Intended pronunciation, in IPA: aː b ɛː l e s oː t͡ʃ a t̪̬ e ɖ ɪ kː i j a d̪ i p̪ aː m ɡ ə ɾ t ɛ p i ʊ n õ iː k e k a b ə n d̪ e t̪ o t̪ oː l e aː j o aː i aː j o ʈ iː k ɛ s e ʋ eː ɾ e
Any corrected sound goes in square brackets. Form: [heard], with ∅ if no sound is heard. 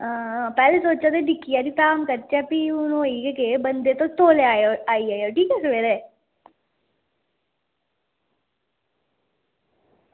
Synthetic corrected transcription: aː [p] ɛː l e s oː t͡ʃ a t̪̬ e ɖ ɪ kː i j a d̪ i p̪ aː m [k] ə ɾ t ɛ p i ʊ n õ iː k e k [e] b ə n d̪ e t̪ o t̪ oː l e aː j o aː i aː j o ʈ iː k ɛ s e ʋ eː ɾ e